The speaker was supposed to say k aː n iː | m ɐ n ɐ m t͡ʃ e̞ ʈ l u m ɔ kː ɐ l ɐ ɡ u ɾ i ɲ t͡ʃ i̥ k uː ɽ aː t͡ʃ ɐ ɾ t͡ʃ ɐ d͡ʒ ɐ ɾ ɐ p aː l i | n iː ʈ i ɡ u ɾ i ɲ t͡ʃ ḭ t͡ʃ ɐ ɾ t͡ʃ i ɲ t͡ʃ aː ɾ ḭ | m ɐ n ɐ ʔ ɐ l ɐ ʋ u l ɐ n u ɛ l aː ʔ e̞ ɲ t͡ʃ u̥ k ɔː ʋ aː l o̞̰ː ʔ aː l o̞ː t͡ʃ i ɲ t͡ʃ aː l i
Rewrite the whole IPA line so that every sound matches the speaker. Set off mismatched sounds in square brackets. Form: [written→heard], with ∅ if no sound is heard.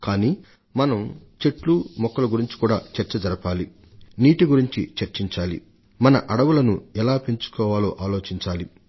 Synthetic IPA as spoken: k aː n iː | m ɐ n ɐ m t͡ʃ e̞ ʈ l u m ɔ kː ɐ l ɐ ɡ u ɾ i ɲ t͡ʃ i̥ k uː ɽ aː t͡ʃ ɐ ɾ t͡ʃ ɐ d͡ʒ ɐ ɾ ɐ p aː l i | n iː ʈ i ɡ u ɾ i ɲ t͡ʃ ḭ t͡ʃ ɐ ɾ t͡ʃ i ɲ t͡ʃ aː [ɾ→l] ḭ | m ɐ n ɐ ʔ ɐ [l→ɽ] ɐ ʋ u l ɐ n u ɛ l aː [ʔ→p] e̞ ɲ t͡ʃ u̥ k ɔː ʋ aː l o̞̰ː ʔ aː l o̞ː t͡ʃ i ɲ t͡ʃ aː l i